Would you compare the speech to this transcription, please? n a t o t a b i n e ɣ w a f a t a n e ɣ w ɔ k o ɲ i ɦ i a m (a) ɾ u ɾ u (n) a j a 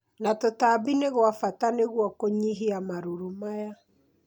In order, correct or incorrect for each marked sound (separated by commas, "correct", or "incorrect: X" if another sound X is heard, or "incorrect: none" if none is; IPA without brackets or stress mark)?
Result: correct, incorrect: m